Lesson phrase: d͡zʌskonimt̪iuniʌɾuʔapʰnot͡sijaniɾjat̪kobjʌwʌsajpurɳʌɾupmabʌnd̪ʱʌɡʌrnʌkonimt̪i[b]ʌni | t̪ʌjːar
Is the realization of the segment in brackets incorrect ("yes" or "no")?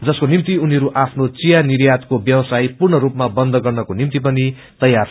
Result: yes